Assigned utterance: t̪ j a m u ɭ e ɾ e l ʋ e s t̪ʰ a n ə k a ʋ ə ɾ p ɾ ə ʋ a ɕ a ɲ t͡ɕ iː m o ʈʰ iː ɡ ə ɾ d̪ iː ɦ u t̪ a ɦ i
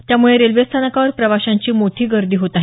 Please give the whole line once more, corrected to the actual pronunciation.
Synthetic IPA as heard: t̪ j a m u ɭ e ɾ e l ʋ e s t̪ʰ a n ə k a ʋ ə ɾ p ɾ ə ʋ a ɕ a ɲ t͡ɕ iː m o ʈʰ iː ɡ ə ɾ d̪ iː ɦ o t̪ a ɦ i